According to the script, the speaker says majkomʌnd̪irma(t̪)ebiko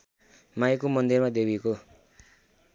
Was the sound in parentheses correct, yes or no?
no